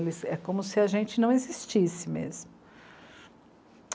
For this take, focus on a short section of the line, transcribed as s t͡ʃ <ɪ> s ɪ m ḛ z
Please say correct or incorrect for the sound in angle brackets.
incorrect